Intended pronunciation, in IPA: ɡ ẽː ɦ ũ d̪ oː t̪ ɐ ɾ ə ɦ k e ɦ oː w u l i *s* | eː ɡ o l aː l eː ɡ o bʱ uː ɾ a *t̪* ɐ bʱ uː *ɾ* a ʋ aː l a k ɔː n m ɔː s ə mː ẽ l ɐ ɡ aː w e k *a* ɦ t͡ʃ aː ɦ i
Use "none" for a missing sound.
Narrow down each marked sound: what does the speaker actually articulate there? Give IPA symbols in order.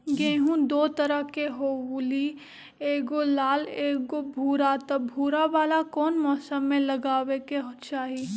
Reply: none, t̪, ɾ, e

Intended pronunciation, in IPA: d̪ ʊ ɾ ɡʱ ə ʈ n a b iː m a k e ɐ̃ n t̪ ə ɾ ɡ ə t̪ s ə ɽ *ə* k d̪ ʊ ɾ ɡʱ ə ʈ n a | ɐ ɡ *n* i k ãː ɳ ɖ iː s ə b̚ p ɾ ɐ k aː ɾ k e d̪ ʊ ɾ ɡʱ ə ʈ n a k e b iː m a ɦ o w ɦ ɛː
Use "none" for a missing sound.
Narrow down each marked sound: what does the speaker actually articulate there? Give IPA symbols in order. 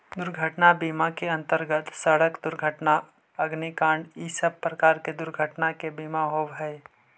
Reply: ə, n

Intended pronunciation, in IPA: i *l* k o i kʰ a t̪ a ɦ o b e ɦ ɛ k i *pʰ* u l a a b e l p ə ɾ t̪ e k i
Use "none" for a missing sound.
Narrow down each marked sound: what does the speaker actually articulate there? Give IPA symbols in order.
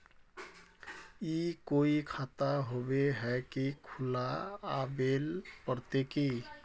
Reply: none, kʰ

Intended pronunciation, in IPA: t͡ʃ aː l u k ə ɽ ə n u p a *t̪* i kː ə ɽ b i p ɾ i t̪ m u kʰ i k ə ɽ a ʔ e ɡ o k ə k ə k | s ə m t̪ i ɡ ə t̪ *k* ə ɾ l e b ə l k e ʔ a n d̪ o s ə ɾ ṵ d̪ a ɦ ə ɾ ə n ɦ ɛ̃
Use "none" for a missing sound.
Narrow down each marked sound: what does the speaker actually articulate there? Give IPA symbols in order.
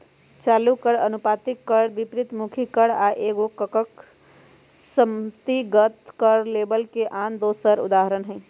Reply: t̪, k

